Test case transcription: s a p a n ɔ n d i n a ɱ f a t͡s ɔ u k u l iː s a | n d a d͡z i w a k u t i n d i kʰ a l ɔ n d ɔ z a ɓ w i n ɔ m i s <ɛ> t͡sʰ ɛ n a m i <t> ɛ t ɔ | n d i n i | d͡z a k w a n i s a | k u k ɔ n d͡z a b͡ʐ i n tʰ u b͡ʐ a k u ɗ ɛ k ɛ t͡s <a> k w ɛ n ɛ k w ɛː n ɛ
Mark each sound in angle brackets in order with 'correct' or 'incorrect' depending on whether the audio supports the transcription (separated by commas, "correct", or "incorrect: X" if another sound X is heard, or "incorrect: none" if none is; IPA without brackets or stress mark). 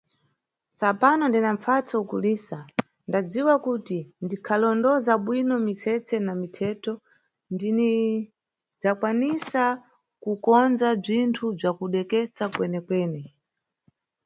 correct, incorrect: tʰ, correct